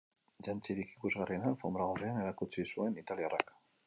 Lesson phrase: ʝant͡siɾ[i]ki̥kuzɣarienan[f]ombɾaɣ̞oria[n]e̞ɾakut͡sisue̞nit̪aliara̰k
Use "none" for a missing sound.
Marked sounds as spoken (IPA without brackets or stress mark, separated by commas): i, f, n